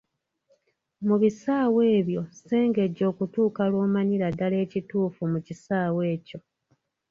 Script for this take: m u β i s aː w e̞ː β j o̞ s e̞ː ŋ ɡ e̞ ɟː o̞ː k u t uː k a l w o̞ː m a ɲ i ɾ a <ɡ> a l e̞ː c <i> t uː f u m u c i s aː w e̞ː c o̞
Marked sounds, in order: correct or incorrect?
incorrect, correct

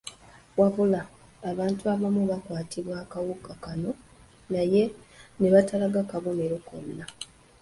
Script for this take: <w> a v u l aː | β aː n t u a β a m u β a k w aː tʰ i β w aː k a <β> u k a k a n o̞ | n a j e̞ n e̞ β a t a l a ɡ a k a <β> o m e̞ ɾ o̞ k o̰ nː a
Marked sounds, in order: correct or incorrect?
correct, incorrect, correct

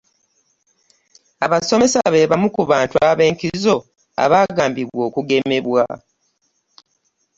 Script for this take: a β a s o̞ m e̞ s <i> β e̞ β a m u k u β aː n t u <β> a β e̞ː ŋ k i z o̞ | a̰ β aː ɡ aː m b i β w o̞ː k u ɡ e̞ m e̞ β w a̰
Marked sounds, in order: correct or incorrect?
incorrect, incorrect

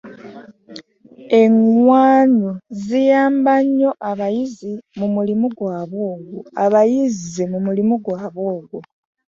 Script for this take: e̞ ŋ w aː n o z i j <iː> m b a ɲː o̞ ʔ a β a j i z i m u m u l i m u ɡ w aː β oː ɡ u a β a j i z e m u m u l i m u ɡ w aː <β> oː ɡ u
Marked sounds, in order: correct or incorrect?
incorrect, correct

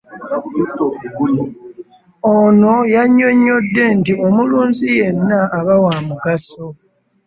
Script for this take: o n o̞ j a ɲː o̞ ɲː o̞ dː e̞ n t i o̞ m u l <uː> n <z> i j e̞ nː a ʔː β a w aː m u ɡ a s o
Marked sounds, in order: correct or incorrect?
correct, correct

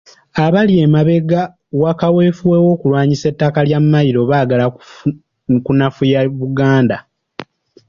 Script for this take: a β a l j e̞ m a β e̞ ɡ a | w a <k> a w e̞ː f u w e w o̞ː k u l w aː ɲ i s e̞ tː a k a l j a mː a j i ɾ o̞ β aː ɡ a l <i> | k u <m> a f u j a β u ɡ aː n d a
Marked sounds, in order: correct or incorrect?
correct, incorrect, incorrect

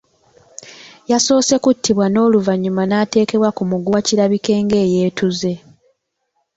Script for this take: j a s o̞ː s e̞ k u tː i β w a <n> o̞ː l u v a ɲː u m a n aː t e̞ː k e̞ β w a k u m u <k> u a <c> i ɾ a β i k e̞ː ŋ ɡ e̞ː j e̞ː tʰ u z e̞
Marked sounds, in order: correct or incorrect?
correct, incorrect, correct

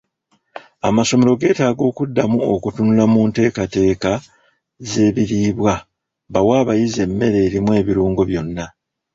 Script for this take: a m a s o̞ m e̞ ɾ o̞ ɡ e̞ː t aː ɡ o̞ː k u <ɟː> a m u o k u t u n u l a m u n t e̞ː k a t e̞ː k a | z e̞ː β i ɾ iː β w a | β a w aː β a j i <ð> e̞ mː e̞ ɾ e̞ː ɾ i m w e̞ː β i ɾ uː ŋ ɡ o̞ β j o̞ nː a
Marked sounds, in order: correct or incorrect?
incorrect, incorrect

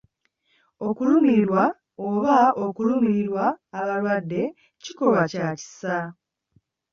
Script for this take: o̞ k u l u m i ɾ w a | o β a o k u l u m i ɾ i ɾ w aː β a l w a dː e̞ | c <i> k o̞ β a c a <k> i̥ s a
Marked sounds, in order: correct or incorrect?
correct, incorrect

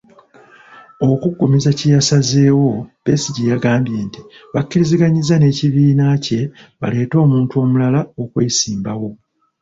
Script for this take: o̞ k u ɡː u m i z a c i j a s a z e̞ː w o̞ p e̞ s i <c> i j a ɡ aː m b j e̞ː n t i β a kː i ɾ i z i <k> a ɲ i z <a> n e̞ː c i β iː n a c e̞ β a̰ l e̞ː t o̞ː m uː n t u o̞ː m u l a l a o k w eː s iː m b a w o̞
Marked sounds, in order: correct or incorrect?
incorrect, incorrect, correct

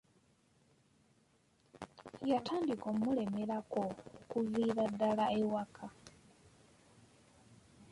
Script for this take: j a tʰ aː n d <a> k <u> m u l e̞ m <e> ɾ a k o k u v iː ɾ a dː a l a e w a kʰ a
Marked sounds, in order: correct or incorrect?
incorrect, incorrect, correct

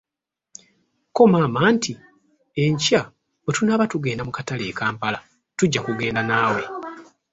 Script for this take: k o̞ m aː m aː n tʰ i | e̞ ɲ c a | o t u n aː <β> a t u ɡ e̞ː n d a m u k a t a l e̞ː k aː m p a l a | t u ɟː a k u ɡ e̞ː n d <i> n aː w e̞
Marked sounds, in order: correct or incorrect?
correct, incorrect

